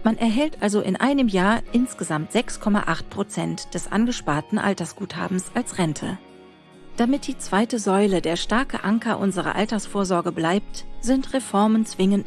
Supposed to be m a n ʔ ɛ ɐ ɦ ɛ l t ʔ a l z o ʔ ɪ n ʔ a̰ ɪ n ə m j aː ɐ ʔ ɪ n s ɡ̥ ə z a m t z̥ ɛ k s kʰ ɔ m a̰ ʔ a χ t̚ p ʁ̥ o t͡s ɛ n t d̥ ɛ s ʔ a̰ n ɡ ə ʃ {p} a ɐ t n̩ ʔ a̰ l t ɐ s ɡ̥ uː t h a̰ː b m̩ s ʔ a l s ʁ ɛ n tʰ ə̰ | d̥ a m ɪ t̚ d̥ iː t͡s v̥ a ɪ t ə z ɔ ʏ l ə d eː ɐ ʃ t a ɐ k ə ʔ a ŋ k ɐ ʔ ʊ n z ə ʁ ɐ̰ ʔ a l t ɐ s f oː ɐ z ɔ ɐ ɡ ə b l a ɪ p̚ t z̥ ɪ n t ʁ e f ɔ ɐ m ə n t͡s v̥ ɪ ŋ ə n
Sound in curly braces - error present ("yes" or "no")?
no